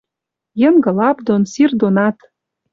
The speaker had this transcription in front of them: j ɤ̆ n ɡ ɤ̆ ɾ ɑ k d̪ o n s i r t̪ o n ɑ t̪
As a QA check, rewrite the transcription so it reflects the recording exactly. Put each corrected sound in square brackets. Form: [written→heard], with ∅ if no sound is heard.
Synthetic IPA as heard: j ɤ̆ [n→ŋ] ɡ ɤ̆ [ɾ→l] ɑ [k→p] d̪ o n s i r [t̪→d̪] o n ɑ t̪